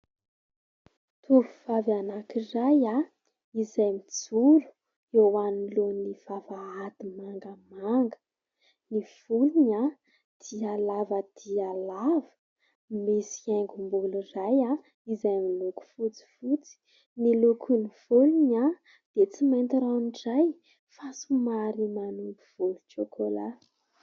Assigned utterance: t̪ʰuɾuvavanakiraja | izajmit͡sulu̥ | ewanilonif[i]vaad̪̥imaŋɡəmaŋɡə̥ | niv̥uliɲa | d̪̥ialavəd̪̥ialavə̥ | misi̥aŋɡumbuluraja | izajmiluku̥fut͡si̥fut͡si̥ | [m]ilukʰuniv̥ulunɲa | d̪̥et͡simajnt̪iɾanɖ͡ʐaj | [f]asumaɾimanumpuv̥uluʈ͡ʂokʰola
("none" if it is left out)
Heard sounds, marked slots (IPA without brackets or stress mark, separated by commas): a, n, f